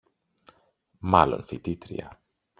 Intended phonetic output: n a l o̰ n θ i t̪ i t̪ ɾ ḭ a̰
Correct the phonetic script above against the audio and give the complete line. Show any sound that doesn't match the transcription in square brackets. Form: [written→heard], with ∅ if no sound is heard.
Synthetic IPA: [n→m] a l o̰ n [θ→f] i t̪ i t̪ ɾ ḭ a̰